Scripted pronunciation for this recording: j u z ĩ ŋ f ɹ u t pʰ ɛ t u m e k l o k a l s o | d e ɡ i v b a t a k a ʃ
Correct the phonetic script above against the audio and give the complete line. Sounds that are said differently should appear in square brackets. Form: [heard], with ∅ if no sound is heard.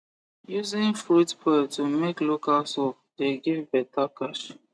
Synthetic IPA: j u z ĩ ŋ f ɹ u t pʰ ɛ t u m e k l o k a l s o | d e ɡ i v b [ɛ] t a k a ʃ